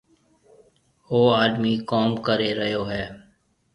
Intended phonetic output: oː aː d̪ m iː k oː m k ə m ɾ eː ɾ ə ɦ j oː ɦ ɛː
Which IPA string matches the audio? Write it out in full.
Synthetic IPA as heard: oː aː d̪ m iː k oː m k ə ɾ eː ɾ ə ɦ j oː ɦ ɛː